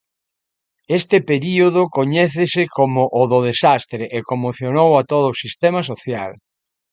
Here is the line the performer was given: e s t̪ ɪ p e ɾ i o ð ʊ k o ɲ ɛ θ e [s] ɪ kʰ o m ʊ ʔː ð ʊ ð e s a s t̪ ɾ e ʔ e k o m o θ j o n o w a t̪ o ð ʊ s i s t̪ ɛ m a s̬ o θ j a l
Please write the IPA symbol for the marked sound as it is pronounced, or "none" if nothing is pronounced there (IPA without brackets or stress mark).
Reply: s